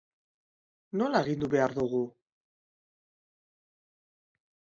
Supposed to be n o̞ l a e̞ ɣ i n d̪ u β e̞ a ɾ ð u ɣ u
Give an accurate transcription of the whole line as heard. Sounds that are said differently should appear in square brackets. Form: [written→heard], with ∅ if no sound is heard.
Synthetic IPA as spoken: n o̞ l a e̞ ɣ i n d̪ u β e̞ a ɾ ð u ɣ u